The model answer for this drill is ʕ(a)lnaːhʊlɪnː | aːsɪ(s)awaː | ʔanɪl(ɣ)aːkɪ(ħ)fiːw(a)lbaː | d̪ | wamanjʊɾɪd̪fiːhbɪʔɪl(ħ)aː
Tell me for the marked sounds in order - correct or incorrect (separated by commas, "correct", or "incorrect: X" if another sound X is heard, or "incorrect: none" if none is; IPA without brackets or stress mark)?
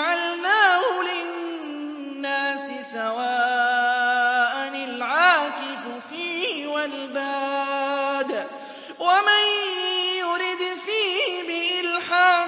correct, correct, incorrect: ʕ, incorrect: f, correct, correct